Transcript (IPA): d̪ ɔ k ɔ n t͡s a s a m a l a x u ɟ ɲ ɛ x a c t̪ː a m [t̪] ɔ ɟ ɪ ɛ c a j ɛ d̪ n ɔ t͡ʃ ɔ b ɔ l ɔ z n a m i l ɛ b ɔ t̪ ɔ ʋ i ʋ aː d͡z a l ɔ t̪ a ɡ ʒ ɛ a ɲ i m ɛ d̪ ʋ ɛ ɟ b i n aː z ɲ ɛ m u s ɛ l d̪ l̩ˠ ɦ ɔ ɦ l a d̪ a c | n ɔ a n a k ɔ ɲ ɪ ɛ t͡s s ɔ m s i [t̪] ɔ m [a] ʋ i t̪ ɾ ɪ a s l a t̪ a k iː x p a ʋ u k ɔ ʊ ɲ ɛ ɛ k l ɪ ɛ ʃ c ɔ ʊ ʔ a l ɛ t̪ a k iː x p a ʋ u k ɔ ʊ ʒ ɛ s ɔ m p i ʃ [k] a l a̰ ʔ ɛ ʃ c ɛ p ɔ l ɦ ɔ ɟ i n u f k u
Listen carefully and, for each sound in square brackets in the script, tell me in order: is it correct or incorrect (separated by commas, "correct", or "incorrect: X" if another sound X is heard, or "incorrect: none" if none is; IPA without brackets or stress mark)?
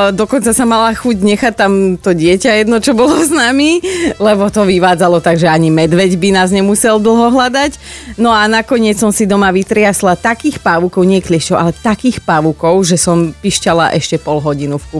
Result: correct, incorrect: d̪, correct, incorrect: c